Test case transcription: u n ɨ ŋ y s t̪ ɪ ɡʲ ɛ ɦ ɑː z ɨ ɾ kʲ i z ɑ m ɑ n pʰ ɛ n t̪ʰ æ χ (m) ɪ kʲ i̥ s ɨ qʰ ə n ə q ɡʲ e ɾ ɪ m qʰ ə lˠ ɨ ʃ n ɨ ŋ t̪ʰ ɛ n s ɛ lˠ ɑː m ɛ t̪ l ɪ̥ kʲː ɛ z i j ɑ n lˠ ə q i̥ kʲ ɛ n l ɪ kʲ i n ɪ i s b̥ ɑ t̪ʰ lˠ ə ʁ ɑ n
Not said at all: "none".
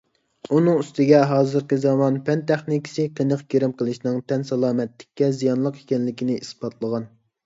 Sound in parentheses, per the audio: n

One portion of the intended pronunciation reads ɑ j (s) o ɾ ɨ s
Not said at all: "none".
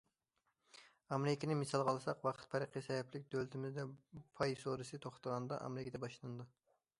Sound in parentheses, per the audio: s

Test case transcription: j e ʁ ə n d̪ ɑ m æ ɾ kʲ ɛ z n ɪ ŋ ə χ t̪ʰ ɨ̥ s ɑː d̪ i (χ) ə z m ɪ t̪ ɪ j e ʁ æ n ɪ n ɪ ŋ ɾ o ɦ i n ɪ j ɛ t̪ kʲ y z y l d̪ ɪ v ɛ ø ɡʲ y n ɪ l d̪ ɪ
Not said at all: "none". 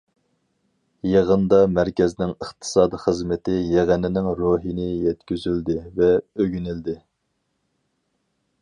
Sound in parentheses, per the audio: χ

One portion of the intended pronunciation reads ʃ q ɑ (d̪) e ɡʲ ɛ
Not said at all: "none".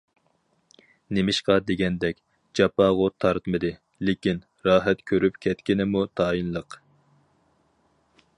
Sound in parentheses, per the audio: d̪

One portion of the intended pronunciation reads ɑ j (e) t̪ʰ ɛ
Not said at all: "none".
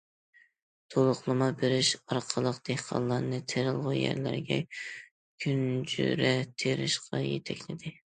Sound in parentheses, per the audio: e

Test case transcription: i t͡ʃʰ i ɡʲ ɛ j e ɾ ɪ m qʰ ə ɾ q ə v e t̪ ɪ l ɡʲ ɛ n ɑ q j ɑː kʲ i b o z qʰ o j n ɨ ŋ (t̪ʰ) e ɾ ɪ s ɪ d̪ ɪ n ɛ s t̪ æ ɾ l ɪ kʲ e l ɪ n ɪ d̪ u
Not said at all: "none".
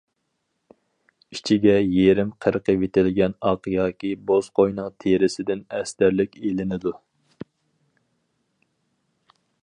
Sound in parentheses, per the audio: t̪ʰ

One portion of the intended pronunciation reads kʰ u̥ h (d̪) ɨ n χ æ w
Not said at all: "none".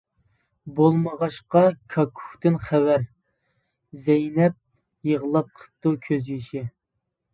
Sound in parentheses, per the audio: t̪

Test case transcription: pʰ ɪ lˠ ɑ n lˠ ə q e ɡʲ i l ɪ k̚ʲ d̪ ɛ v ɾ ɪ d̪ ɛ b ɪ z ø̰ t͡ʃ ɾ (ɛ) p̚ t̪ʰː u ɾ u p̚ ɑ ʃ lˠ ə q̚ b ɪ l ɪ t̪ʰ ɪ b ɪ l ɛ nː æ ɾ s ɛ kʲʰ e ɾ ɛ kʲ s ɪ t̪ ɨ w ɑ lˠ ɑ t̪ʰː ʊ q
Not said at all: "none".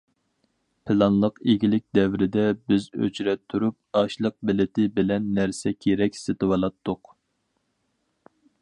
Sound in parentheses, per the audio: ɛ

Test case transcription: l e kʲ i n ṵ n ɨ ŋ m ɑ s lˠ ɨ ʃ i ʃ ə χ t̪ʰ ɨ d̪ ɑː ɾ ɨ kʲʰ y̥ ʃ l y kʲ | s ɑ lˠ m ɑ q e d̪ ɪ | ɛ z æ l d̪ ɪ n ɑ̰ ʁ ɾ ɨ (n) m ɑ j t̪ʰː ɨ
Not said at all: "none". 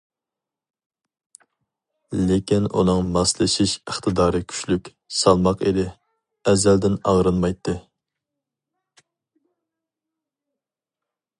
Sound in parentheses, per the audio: n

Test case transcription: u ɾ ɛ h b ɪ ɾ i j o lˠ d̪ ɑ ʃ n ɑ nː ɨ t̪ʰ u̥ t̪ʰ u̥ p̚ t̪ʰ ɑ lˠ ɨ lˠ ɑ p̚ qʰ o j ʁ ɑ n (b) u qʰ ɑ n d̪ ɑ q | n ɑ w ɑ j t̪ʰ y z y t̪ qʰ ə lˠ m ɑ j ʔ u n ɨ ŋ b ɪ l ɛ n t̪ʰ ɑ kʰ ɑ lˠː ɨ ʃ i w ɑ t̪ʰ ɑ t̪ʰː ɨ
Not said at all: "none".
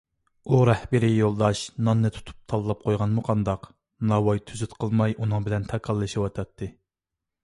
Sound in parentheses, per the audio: m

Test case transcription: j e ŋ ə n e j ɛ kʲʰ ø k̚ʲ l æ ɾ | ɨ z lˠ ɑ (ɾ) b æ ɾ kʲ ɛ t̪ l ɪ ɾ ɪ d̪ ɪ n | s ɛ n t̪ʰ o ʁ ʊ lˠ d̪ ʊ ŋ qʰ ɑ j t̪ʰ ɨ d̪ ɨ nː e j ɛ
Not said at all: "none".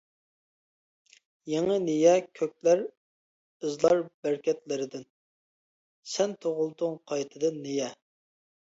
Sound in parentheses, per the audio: ɾ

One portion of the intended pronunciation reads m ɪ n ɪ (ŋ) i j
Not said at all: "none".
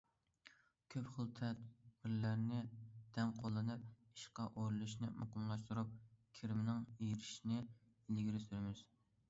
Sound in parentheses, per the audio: ŋ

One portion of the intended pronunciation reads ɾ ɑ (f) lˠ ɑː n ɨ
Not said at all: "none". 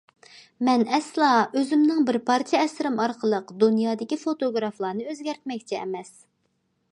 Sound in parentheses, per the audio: f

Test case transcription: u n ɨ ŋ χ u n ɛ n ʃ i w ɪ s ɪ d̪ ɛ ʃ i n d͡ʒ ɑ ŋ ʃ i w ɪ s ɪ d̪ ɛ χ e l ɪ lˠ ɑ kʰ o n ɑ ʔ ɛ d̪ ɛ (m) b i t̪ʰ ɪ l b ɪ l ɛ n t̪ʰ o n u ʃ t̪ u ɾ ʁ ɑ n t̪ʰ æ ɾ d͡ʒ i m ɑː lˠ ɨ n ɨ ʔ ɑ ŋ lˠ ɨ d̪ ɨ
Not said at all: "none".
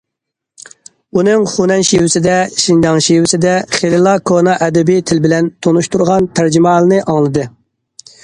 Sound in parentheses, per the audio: none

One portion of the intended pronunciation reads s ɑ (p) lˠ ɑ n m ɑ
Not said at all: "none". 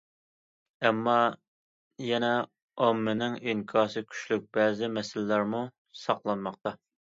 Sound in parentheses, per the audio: q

